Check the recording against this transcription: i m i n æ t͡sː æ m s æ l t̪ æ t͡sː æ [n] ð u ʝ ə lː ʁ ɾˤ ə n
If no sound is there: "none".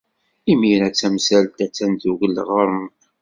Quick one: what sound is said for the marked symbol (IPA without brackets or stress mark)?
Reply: n